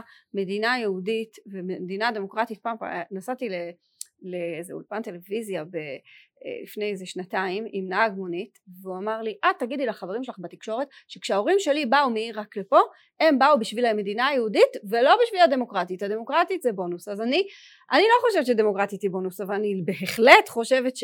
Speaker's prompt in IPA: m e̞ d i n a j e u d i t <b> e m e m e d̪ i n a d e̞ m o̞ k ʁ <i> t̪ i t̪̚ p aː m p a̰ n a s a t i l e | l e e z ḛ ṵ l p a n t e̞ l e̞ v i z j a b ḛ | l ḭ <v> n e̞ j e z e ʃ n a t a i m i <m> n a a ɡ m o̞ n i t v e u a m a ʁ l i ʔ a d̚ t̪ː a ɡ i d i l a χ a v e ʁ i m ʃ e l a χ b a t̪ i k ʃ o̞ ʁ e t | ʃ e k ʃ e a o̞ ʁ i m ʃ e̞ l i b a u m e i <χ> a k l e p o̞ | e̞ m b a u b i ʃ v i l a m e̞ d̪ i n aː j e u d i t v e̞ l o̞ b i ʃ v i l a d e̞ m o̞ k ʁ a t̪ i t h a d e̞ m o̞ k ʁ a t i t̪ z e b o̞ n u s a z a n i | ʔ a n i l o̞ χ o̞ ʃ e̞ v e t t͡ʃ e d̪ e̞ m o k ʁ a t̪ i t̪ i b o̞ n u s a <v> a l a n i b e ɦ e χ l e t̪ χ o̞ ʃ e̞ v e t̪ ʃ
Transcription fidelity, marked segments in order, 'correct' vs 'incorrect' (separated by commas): incorrect, incorrect, incorrect, correct, incorrect, correct